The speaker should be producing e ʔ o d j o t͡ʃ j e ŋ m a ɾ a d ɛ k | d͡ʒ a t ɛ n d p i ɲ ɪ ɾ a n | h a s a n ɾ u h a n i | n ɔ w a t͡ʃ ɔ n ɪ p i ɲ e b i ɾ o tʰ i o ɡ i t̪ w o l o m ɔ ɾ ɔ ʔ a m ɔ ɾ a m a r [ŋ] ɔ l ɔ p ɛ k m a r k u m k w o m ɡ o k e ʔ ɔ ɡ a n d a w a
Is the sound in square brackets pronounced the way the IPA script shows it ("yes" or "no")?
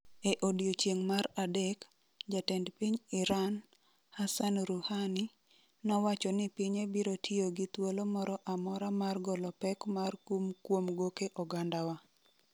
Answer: no